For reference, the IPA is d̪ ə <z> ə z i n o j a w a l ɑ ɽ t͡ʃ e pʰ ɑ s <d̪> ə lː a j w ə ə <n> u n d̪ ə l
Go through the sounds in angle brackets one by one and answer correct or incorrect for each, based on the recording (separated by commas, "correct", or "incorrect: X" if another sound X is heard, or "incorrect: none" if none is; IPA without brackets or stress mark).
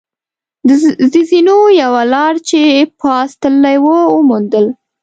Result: correct, incorrect: t̪, incorrect: m